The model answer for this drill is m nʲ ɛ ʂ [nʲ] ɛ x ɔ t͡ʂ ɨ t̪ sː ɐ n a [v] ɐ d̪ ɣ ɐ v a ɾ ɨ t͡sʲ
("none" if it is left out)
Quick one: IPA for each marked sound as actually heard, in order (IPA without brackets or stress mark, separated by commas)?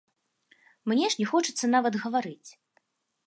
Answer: nʲ, v